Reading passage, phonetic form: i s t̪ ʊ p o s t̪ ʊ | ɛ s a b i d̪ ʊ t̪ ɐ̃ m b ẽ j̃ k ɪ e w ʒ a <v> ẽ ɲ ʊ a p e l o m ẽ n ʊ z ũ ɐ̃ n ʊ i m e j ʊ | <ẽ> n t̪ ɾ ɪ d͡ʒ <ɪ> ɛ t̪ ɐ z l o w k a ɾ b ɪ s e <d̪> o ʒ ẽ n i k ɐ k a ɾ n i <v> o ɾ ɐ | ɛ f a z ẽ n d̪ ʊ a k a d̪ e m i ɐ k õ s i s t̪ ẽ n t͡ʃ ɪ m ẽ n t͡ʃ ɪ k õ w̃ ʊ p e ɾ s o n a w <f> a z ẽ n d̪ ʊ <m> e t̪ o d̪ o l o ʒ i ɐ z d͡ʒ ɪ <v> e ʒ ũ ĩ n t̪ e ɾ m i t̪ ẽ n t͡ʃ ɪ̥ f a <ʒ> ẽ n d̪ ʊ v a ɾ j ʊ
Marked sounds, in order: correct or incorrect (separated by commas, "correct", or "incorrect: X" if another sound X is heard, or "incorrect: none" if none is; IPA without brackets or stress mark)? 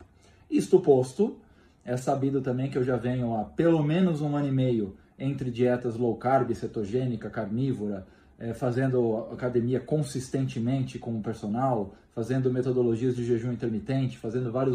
correct, correct, incorrect: i, incorrect: t̪, correct, correct, correct, incorrect: ʒ, incorrect: z